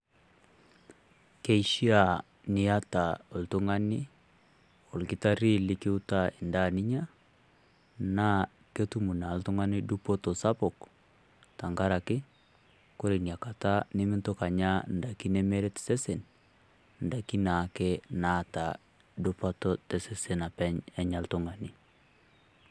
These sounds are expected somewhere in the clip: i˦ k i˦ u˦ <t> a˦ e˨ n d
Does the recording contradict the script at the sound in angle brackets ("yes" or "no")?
no